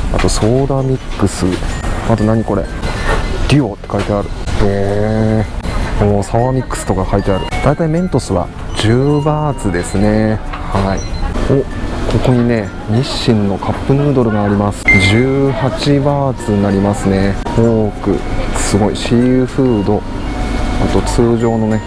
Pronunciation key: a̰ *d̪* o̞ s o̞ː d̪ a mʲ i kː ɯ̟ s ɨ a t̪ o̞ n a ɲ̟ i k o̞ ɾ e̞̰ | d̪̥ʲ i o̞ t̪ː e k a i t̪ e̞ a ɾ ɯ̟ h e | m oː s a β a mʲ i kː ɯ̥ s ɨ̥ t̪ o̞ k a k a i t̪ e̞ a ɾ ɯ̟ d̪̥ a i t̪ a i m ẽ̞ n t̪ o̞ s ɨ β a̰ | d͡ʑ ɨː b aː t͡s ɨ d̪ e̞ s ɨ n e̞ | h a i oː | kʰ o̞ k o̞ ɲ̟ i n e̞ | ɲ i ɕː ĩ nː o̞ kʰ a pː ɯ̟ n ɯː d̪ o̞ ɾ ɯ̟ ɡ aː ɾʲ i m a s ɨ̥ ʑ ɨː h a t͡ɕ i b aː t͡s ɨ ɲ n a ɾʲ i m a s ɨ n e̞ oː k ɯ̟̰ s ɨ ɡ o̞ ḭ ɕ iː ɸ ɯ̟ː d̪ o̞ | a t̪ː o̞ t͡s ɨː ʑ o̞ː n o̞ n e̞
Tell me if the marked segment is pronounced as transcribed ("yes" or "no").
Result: no